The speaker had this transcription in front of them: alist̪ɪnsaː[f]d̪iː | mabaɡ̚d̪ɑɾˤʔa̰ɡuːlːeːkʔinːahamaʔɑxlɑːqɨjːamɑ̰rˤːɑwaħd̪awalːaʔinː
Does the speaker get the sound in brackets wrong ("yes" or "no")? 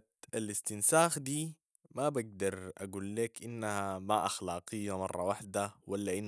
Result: yes